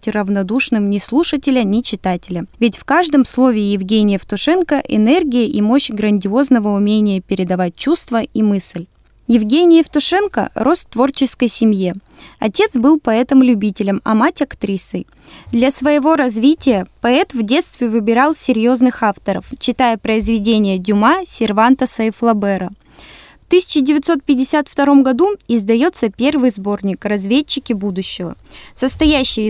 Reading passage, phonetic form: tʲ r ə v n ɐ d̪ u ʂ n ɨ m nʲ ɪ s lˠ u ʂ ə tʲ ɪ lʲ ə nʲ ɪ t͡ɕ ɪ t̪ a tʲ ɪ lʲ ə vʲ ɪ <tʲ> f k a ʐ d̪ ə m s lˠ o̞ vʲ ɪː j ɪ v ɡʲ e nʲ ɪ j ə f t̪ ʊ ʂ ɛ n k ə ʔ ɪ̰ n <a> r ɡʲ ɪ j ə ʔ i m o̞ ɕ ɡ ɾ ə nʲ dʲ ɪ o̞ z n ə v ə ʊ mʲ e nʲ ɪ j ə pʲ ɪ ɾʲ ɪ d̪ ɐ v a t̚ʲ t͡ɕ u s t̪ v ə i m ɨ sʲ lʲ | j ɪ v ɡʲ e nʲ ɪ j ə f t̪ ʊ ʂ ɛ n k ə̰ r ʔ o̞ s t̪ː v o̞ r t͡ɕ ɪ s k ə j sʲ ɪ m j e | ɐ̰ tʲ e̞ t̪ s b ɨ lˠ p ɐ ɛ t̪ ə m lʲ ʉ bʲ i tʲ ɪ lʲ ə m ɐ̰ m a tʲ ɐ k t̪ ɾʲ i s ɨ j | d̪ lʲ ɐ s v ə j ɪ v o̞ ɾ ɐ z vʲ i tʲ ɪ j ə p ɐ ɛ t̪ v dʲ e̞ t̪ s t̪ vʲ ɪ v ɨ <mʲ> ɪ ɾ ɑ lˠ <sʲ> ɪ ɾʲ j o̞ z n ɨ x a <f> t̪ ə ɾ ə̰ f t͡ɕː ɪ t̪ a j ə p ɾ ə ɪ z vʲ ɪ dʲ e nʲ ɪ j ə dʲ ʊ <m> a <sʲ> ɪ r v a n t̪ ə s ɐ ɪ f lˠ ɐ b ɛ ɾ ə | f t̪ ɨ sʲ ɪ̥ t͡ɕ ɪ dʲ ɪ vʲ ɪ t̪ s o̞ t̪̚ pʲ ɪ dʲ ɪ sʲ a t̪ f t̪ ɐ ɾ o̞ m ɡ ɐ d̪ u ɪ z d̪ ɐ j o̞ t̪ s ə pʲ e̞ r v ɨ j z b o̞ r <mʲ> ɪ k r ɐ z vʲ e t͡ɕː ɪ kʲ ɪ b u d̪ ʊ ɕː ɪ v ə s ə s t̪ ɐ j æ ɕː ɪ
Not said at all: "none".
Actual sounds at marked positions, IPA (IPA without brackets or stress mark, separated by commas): tʲ, ɛ, bʲ, sʲ, f, m, sʲ, nʲ